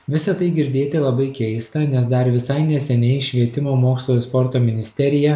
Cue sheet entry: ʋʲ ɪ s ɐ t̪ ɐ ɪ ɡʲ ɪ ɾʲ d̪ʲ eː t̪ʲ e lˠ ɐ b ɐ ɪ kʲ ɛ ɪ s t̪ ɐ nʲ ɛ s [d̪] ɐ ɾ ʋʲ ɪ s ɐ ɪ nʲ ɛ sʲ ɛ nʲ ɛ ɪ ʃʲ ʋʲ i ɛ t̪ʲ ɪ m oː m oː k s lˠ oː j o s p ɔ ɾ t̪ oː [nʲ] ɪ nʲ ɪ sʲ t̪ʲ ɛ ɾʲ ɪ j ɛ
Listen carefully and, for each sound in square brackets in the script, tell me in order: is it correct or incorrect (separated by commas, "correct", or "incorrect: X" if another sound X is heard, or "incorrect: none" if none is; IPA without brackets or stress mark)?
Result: correct, incorrect: mʲ